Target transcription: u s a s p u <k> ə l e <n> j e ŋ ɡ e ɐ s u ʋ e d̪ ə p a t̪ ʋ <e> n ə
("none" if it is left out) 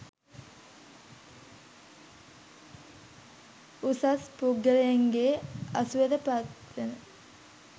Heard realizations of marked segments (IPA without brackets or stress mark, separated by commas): ɡ, none, e